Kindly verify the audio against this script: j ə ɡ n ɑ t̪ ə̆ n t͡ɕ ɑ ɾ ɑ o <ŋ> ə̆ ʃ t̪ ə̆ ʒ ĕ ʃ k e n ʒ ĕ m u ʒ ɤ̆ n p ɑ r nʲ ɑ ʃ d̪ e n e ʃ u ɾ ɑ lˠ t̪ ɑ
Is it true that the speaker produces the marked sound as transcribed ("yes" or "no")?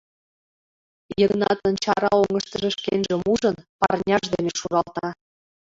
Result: yes